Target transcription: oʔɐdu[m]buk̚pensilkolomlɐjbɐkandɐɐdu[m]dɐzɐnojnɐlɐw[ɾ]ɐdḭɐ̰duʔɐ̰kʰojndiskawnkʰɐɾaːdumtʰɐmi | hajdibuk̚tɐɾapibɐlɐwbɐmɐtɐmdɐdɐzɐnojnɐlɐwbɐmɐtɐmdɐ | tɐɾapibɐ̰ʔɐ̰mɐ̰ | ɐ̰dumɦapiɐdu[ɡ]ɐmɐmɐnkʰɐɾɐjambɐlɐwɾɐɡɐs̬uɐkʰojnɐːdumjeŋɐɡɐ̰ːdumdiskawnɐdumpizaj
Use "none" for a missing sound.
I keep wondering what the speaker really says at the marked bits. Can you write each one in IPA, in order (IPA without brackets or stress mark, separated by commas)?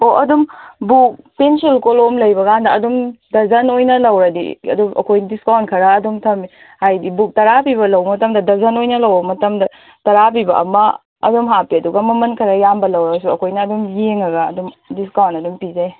m, m, ɾ, ɡ